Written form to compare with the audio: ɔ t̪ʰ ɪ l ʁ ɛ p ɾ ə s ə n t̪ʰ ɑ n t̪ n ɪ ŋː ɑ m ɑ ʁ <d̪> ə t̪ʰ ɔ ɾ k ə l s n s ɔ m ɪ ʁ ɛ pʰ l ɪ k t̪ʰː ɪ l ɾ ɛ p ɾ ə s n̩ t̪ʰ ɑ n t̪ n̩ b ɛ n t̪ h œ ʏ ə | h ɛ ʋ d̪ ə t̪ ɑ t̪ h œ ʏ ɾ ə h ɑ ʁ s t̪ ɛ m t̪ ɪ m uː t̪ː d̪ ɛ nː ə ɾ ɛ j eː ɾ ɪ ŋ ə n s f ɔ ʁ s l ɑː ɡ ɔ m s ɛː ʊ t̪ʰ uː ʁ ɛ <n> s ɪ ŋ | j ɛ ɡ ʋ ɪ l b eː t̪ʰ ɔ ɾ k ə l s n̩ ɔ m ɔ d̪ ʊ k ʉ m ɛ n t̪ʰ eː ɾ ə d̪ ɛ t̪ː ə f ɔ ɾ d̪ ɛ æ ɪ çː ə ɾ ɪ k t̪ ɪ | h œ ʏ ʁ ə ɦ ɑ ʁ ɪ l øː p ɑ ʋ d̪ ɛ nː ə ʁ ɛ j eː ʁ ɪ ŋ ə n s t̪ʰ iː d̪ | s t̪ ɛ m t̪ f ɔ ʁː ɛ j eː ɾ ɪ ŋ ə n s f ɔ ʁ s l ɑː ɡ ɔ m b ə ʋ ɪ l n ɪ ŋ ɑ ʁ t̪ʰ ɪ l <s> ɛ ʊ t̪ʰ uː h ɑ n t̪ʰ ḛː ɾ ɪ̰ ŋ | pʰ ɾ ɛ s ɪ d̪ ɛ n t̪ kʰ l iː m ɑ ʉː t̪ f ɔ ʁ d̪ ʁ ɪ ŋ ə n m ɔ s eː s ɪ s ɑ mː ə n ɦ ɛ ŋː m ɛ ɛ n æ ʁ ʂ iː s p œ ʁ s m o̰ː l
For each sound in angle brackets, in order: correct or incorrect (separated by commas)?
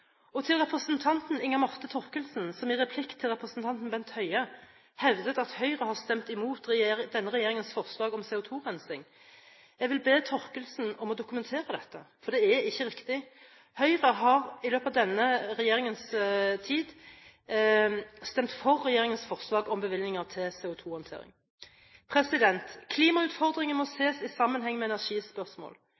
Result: incorrect, correct, correct